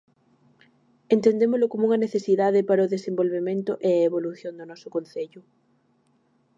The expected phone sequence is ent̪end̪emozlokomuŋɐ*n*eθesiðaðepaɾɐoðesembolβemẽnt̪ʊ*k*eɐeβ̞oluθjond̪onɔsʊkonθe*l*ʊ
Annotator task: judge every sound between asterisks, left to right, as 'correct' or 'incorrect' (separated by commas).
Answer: correct, incorrect, incorrect